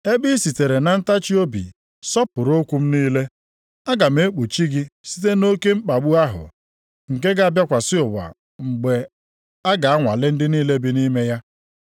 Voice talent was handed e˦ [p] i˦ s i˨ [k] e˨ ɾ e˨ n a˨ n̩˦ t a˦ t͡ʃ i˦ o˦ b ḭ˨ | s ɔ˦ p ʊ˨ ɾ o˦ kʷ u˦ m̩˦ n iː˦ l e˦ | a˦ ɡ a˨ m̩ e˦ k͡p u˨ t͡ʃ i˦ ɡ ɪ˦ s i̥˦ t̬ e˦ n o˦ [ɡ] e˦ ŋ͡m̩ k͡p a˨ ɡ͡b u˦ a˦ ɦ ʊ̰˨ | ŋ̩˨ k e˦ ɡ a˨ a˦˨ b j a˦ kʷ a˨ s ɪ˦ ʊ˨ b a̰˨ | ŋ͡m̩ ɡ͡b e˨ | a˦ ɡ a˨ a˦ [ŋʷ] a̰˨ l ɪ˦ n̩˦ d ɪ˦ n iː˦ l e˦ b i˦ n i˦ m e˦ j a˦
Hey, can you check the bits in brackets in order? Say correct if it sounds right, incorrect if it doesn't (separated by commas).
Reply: incorrect, incorrect, incorrect, correct